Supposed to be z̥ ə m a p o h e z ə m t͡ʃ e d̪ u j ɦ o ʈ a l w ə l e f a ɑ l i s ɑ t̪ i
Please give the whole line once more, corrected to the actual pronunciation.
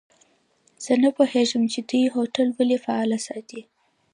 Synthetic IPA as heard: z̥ ə n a p o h e ʒ ə m t͡ʃ e d̪ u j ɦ o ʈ a l w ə l e f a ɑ l a s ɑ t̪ i